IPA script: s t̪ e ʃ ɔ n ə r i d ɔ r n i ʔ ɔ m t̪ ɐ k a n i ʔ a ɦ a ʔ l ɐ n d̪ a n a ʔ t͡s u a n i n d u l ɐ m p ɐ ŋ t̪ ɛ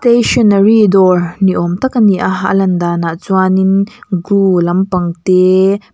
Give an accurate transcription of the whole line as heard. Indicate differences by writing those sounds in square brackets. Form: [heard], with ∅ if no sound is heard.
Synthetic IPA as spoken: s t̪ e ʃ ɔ n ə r i d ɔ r n i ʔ ɔ m t̪ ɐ k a n i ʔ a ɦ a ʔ l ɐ n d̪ a n a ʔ t͡s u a n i n [ɡ] u l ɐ m p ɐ ŋ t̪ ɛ